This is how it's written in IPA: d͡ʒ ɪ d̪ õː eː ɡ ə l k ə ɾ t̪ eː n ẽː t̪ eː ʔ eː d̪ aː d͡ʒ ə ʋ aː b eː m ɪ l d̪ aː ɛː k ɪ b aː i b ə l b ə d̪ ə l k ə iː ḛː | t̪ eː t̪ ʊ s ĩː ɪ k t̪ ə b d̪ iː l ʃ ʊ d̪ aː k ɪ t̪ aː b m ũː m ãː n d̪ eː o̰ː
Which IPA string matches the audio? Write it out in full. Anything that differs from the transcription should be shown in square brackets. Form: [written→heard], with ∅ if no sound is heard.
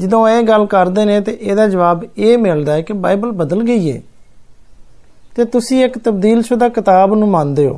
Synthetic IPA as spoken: d͡ʒ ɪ d̪ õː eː ɡ ə l k ə ɾ [t̪→d̪] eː n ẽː t̪ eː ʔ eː d̪ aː d͡ʒ ə ʋ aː b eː m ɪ l d̪ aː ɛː k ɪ b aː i b ə l b ə d̪ ə l [k→ɡ] ə iː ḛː | t̪ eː t̪ ʊ s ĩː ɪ k t̪ ə b d̪ iː l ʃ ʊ d̪ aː k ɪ t̪ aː b [m→n] ũː m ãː n d̪ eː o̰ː